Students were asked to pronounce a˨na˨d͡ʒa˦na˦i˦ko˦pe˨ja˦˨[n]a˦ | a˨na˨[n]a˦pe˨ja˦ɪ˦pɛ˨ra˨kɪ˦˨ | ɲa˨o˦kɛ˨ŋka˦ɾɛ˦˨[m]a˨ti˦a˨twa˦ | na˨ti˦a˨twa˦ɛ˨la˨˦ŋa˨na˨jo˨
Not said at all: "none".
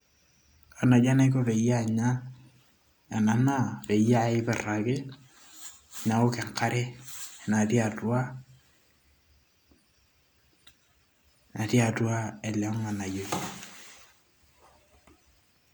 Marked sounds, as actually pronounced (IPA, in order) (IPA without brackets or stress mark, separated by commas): ɲ, n, n